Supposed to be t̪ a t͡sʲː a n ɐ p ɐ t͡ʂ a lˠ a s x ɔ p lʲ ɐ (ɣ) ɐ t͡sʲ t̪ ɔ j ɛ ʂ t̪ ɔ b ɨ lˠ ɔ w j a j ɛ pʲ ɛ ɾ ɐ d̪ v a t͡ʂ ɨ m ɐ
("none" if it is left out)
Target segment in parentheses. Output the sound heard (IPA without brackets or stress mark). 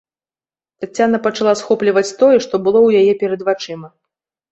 v